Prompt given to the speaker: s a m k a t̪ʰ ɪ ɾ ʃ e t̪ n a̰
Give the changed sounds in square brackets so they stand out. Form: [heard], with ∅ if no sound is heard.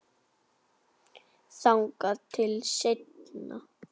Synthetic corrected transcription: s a [ŋ] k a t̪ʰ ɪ [l] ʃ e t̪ n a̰